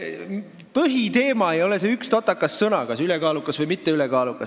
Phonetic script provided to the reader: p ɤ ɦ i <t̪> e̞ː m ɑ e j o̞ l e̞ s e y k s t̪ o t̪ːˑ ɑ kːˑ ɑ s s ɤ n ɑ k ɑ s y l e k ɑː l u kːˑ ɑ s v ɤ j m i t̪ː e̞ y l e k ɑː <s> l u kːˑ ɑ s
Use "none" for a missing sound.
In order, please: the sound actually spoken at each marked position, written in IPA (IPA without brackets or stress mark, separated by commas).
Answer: t̪, none